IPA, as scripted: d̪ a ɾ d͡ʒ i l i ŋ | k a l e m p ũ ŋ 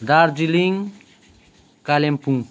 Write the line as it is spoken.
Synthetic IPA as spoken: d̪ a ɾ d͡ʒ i l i ŋ | k a l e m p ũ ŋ